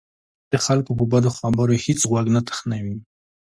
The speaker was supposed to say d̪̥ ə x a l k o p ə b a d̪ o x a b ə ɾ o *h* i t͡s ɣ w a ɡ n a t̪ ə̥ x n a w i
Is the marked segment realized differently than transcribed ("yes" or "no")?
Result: no